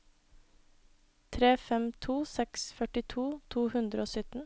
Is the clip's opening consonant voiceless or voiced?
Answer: voiceless